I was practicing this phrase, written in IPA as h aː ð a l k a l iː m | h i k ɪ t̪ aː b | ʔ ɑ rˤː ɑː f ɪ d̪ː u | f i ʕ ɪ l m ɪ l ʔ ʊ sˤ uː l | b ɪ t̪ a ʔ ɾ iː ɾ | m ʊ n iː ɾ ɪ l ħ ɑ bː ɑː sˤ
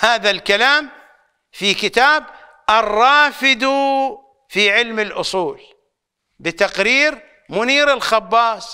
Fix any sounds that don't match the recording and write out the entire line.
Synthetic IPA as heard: h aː ð a l k a l aː m | f i k ɪ t̪ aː b | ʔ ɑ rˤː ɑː f ɪ d̪ u | f i ʕ ɪ l m ɪ l ʔ ʊ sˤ uː l | b ɪ t̪ a q ɾ iː ɾ | m ʊ n iː ɾ ɪ l x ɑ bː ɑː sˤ